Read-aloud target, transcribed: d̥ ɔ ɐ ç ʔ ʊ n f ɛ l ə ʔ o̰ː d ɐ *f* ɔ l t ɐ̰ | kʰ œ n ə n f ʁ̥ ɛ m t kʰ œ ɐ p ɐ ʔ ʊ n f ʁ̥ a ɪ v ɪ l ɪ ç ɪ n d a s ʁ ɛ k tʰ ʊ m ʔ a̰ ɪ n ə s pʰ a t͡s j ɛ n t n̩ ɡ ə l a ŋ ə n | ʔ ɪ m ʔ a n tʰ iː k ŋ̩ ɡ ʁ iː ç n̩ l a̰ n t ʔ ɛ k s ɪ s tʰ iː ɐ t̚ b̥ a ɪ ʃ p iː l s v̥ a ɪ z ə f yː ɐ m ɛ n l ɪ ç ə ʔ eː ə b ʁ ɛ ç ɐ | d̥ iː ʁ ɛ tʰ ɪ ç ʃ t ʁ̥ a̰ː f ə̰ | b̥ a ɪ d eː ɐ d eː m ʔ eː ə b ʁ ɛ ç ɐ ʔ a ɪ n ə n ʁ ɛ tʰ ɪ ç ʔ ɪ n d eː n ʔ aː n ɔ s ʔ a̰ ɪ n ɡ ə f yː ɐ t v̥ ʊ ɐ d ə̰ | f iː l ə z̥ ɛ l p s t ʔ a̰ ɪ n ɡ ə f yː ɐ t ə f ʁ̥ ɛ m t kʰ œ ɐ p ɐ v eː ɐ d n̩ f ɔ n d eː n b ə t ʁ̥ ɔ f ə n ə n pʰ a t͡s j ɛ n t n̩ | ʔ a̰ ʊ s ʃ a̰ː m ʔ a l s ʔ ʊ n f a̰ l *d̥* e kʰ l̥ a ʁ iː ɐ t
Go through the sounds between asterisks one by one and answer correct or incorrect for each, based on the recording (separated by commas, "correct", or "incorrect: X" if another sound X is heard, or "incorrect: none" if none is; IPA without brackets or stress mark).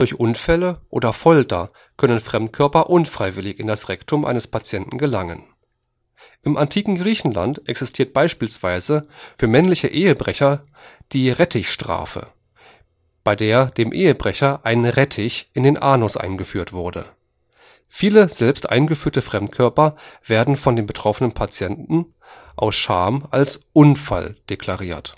correct, correct